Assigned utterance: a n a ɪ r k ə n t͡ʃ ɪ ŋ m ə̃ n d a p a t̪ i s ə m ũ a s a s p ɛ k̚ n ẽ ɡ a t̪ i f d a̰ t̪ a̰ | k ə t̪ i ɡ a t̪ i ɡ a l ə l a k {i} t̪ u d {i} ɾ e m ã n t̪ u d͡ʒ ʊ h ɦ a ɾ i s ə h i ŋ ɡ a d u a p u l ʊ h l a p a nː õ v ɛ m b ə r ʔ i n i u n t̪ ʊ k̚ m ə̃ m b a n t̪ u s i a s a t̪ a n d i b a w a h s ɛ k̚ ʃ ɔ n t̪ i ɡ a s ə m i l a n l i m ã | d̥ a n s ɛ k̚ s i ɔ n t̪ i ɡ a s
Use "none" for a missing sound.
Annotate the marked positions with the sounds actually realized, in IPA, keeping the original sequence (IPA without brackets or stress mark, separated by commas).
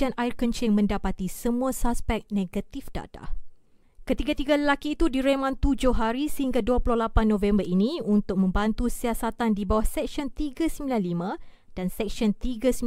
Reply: iː, i